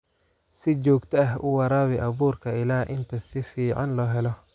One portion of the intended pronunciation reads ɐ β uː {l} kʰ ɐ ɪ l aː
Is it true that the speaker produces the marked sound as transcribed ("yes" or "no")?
no